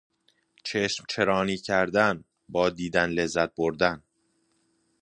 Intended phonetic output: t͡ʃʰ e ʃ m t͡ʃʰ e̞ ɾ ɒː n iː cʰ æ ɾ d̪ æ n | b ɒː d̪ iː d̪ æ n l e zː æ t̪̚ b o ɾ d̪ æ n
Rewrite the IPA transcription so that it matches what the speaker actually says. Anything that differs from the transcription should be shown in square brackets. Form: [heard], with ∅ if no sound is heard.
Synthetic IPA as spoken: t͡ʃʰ e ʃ m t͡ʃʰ e̞ ɾ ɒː n iː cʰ æ ɾ d̪ æ n | b ɒː d̪ iː d̪ æ n l e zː æ t̪̚ b o ɾ d̪ æ n